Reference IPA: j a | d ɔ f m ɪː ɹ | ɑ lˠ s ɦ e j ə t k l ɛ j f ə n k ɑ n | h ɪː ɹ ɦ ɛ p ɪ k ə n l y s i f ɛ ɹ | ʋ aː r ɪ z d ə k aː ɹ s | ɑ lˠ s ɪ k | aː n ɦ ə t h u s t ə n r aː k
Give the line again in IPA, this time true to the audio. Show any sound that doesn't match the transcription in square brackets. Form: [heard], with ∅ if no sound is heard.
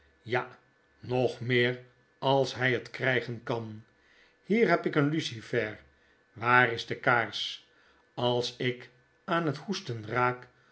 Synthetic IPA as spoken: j a | [n] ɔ [χ] m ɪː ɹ | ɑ lˠ s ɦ [ɛ] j ə t k [r] ɛ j [χ] ə n k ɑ n | h [iː] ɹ ɦ ɛ p ɪ k ə n l y s i f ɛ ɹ | ʋ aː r ɪ z d ə k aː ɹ s | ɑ lˠ s ɪ k | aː n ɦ ə t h u s t ə n r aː k